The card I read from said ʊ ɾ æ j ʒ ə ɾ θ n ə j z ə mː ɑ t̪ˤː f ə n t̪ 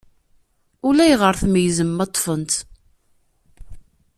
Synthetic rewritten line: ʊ l æ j ʁ ə ɾ θ m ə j z ə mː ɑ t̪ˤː f ə n t̪